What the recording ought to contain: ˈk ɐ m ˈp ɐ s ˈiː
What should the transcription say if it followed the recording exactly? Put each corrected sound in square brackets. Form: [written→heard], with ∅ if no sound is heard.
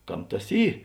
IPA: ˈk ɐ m [ˈp→ˈt] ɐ s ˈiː